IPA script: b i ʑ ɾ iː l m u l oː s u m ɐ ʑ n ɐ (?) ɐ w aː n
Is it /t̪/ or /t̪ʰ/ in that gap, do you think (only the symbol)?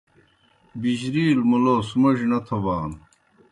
t̪ʰ